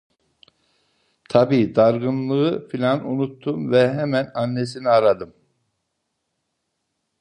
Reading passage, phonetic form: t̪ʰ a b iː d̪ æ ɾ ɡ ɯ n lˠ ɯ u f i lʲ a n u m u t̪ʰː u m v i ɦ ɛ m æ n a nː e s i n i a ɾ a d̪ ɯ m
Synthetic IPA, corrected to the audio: t̪ʰ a b iː d̪ a ɾ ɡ ɯ n lˠ ɯ ɯ f i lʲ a n u n u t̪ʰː u m v ɛ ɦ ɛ m æ n a nː e s i n i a ɾ a d̪ ɯ m